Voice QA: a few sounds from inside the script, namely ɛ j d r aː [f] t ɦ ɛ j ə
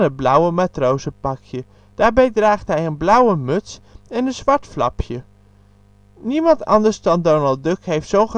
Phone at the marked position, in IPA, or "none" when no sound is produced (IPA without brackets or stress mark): χ